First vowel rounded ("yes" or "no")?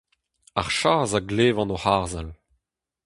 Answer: no